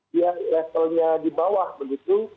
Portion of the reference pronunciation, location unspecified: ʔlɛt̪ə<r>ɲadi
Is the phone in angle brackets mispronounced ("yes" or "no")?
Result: yes